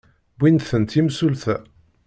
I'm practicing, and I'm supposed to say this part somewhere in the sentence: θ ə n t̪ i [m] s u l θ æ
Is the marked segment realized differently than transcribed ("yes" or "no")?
no